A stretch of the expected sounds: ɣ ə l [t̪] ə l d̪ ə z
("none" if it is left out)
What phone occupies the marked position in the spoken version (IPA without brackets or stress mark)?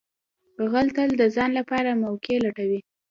t̪